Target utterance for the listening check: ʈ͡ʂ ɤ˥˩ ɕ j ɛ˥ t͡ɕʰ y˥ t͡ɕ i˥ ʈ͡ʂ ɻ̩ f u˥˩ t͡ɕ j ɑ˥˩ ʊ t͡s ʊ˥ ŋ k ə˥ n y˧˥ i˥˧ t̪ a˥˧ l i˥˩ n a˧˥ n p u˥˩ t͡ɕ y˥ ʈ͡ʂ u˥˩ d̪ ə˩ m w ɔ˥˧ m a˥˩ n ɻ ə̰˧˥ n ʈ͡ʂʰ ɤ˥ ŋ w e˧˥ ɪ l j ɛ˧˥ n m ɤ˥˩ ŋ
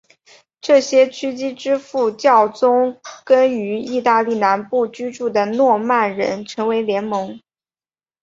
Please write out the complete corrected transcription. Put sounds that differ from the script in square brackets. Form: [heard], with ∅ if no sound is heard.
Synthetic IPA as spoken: ʈ͡ʂ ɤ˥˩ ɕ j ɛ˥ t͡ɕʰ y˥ t͡ɕ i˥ ʈ͡ʂ ɻ̩ f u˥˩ t͡ɕ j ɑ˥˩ ʊ t͡s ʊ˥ ŋ k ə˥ n y˧˥ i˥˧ t̪ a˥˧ l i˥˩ n a˧˥ n p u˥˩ t͡ɕ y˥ ʈ͡ʂ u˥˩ d̪ ə˩ [n] w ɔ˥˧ m a˥˩ n ɻ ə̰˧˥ n ʈ͡ʂʰ [ɤ˧˥] ŋ w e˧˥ ɪ l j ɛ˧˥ n m [ɤ˧˥] ŋ